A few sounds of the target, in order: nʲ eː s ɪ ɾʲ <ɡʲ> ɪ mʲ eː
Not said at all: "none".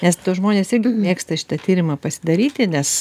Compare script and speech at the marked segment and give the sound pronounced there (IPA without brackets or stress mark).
ɡʲ